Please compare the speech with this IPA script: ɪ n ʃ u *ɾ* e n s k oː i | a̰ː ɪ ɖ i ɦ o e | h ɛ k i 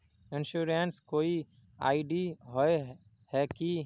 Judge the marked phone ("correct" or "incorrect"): correct